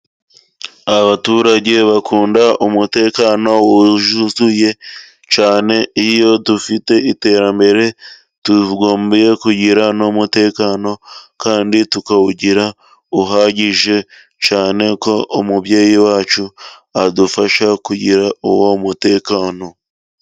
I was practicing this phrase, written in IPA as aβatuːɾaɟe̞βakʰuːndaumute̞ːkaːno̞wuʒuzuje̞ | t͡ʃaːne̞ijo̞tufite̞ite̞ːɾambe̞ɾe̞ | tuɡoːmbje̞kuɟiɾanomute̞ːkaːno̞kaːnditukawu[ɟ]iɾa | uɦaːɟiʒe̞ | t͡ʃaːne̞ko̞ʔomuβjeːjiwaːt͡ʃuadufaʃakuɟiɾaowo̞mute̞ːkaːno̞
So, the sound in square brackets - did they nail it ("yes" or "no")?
yes